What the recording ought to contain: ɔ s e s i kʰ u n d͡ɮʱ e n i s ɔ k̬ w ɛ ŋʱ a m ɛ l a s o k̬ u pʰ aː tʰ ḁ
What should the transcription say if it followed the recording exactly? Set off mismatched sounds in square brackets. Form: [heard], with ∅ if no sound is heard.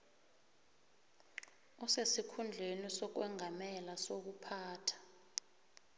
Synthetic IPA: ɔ s e s i kʰ u n d͡ɮʱ e n i s ɔ k̬ w ɛ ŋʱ a m ɛ l a s o k̬ u pʰ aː tʰ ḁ